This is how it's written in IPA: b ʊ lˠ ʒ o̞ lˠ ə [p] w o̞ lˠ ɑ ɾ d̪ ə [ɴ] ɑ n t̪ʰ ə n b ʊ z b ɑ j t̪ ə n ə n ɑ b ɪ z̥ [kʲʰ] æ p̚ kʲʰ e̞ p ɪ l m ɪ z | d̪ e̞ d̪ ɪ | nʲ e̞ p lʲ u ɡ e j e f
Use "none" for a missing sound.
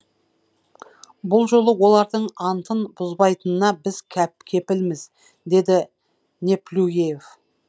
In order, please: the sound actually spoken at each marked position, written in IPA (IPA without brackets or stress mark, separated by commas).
none, ɴ, kʲʰ